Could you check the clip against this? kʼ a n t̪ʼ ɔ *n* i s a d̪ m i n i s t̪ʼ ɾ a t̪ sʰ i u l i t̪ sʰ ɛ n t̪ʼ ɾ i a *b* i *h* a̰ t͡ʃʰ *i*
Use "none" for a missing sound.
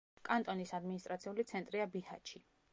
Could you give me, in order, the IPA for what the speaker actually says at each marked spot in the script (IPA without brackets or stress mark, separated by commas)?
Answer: n, b, h, i